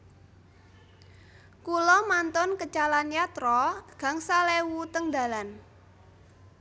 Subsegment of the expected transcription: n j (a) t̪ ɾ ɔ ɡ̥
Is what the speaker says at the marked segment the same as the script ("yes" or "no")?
yes